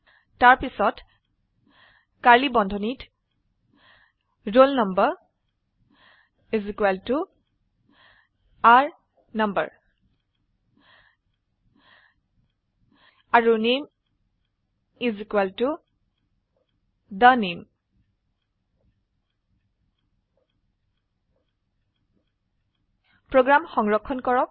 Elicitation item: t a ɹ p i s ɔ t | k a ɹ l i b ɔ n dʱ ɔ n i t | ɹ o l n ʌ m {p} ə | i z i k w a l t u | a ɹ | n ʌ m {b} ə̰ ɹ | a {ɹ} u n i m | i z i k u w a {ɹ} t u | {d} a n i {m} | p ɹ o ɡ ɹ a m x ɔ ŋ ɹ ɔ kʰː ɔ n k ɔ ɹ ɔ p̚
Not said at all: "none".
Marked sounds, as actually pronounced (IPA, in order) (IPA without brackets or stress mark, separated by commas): b, b, ɹ, l, d, m